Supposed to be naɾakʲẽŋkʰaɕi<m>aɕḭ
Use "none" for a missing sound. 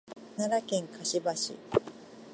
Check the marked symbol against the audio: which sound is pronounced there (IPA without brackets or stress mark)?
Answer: b